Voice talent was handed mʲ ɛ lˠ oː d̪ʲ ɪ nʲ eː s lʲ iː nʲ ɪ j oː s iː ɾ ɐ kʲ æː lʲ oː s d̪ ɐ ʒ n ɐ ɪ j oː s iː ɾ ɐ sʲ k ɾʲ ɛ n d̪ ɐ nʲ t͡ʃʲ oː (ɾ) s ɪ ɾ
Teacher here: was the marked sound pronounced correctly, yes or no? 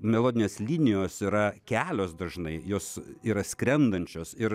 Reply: no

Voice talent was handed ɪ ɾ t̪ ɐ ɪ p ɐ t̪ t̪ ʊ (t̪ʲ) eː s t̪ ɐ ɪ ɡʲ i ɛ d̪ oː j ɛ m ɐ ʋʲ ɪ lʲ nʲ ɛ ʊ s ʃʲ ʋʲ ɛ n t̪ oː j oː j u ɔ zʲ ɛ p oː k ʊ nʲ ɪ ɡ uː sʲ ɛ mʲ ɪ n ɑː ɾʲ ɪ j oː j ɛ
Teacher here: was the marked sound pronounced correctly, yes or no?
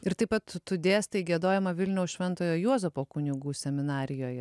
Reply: no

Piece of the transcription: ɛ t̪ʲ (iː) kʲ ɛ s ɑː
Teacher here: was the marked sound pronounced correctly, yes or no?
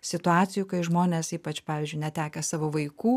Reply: no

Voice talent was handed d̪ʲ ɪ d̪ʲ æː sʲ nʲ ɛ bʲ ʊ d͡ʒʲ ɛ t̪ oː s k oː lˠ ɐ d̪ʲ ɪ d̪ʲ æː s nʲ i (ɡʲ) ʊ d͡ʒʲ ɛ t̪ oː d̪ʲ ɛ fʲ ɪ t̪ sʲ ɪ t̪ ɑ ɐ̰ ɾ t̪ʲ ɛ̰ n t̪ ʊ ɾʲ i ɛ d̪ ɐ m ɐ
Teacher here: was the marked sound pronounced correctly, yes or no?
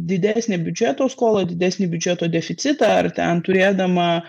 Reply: no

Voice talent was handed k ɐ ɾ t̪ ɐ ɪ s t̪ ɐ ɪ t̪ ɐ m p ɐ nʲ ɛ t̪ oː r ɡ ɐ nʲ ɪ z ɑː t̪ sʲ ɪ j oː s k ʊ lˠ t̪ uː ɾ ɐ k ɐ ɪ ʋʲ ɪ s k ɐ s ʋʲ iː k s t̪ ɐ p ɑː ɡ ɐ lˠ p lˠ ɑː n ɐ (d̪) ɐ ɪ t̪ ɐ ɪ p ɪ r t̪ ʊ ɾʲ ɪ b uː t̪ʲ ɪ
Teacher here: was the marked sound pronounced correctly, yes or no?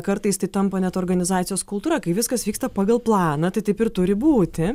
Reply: no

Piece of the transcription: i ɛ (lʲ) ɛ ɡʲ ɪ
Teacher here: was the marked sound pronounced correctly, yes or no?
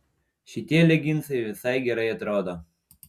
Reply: yes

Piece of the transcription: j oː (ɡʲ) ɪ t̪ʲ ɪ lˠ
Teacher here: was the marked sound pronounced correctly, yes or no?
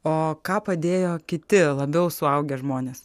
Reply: no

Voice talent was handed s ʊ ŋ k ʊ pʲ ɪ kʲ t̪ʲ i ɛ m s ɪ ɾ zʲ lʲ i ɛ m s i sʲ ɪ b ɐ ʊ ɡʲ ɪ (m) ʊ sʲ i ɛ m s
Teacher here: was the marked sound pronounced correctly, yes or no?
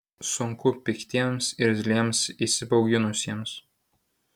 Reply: no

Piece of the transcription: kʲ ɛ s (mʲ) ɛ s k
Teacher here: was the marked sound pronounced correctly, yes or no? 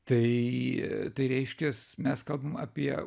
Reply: yes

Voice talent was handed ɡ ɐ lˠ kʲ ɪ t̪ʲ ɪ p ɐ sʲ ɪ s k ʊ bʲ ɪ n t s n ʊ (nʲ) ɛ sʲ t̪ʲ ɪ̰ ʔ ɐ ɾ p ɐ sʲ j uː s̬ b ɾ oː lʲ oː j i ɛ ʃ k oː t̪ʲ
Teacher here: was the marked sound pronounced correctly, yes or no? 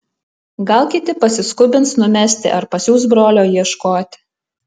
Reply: no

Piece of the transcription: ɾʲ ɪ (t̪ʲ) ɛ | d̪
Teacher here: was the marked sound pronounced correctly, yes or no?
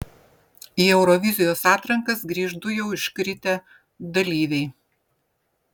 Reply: yes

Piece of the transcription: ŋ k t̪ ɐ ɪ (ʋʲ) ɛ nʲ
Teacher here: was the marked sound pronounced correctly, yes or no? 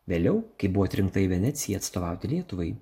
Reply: yes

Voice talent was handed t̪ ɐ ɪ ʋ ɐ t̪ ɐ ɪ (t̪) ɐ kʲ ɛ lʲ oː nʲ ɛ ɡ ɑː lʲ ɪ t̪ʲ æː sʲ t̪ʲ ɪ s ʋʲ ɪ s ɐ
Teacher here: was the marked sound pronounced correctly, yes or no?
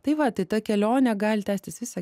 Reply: yes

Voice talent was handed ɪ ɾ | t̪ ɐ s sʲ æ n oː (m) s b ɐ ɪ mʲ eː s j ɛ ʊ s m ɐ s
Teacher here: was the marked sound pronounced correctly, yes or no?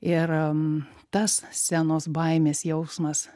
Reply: no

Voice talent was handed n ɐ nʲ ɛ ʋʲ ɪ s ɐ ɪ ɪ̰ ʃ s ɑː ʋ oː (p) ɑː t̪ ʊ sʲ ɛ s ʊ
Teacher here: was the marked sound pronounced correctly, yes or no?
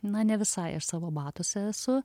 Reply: no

